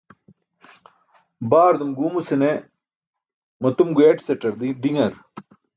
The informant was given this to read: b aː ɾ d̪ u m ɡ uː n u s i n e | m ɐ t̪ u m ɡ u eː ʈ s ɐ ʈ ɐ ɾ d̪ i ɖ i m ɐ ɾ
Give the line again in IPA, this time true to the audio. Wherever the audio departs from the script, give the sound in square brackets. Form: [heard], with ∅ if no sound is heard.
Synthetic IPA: b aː ɾ d̪ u m ɡ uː [m] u s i n e | m ɐ t̪ u m ɡ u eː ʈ s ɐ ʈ ɐ ɾ d̪ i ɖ i [ŋ] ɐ ɾ